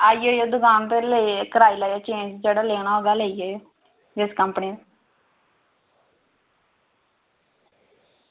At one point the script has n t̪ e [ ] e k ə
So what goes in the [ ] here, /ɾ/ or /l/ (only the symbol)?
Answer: l